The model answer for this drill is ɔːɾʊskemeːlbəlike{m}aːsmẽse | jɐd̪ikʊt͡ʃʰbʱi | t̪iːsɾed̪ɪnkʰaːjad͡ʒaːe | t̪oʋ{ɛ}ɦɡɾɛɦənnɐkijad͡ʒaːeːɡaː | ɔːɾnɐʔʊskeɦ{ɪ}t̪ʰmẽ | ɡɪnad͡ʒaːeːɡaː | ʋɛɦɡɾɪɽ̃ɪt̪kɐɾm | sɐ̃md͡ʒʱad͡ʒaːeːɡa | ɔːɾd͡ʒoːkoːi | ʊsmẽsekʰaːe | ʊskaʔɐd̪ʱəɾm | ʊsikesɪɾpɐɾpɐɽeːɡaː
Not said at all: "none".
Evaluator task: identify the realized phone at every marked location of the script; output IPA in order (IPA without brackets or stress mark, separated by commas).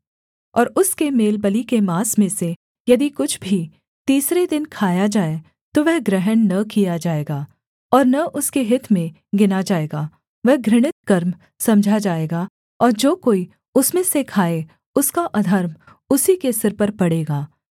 m, ɛ, ɪ